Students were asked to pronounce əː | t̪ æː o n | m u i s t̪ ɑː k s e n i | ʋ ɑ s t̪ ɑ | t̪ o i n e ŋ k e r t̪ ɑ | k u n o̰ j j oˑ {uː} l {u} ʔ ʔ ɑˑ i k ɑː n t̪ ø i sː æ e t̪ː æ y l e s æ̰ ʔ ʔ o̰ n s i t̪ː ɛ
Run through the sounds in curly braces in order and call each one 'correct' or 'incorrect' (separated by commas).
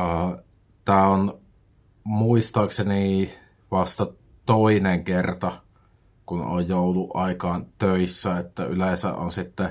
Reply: incorrect, correct